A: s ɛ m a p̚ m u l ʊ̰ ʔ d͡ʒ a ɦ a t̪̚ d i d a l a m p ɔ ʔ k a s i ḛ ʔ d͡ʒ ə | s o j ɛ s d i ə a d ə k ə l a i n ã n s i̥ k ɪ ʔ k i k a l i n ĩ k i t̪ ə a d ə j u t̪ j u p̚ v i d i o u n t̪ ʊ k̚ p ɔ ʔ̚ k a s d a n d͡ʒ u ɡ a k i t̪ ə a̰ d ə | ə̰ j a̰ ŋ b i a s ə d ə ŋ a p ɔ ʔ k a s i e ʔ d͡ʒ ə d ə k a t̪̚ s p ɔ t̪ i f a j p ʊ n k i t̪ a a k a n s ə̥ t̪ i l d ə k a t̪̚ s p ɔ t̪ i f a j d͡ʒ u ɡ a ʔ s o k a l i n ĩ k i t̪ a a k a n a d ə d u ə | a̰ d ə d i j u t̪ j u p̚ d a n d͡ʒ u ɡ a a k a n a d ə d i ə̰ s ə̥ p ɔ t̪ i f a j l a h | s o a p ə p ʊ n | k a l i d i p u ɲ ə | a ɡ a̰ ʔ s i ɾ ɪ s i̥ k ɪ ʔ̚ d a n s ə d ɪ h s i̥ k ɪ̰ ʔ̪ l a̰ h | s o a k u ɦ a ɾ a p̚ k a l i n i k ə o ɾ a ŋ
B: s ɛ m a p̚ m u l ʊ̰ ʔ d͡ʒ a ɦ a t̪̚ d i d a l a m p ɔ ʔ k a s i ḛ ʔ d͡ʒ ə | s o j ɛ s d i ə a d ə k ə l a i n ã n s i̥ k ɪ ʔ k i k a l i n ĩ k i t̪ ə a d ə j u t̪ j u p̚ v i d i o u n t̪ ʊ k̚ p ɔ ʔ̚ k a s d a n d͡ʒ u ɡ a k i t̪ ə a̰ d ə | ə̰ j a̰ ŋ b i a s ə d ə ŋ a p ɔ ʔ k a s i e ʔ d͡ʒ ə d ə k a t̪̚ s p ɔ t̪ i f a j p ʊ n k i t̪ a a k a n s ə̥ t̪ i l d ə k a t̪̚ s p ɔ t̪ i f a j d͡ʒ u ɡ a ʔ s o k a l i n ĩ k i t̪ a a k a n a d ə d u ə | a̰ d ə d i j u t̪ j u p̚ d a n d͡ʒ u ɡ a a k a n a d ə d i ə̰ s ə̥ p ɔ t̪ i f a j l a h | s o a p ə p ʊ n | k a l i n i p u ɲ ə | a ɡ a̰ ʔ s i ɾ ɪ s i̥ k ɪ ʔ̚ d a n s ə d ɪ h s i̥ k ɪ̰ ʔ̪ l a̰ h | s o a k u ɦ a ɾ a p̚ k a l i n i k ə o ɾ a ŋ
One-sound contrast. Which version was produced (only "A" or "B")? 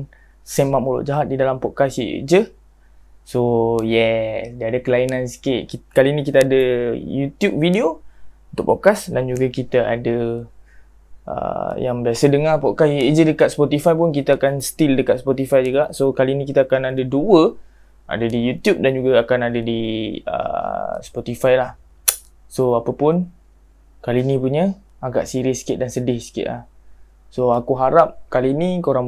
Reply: B